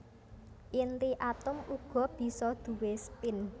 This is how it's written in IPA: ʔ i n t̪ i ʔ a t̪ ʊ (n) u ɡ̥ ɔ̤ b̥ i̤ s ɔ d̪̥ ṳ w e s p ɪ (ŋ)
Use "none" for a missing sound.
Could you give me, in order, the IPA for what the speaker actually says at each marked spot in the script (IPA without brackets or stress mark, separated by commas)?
m, n